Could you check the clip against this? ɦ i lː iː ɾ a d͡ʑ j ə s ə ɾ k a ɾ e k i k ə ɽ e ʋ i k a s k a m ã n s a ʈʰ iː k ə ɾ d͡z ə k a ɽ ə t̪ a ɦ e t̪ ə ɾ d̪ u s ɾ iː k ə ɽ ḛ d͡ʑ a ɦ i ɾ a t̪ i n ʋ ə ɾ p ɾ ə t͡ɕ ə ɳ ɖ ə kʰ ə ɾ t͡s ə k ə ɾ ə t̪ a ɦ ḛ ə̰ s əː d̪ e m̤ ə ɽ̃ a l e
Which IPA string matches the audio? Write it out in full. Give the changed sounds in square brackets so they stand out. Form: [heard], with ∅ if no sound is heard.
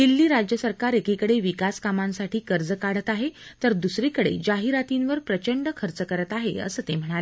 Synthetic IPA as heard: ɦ i lː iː ɾ a d͡ʑ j ə s ə ɾ k a ɾ e k i k ə ɽ e ʋ i k a s k a m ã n s a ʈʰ iː k ə ɾ d͡z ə k a ɽ ə t̪ a ɦ e t̪ ə ɾ d̪ u s ɾ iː k ə ɽ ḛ d͡ʑ a ɦ i ɾ a t̪ i n ʋ ə ɾ p ɾ ə t͡ɕ ə ɳ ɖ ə kʰ ə ɾ t͡s ə k ə ɾ ə t̪ a ɦ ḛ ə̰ s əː [t̪] e m̤ ə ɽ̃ a l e